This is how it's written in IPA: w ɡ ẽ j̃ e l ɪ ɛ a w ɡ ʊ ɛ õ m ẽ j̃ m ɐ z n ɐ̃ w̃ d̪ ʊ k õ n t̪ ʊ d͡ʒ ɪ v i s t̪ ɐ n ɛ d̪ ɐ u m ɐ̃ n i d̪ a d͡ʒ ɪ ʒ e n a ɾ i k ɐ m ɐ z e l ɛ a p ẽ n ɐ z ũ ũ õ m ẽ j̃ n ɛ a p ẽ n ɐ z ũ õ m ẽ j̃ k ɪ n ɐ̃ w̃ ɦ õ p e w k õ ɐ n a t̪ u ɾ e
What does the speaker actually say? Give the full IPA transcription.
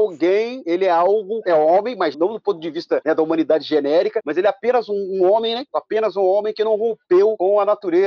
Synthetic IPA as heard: w ɡ ẽ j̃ e l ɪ ɛ a w ɡ ʊ ɛ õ m ẽ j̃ m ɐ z n ɐ̃ w̃ d̪ ʊ p õ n t̪ ʊ d͡ʒ ɪ v i s t̪ ɐ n ɛ d̪ ɐ u m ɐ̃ n i d̪ a d͡ʒ ɪ ʒ e n ɛ ɾ i k ɐ m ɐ z e l ɛ a p ẽ n ɐ z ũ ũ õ m ẽ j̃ n ɛ a p ẽ n ɐ z ũ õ m ẽ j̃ k ɪ n ɐ̃ w̃ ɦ õ p e w k õ ɐ n a t̪ u ɾ e